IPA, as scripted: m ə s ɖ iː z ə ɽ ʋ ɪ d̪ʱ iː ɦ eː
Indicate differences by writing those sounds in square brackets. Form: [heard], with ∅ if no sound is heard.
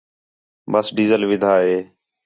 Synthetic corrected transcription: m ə s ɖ iː z ə [l] ʋ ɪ d̪ʱ [aː] ɦ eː